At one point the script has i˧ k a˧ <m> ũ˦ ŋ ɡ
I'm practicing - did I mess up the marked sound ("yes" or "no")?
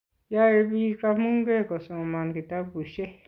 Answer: no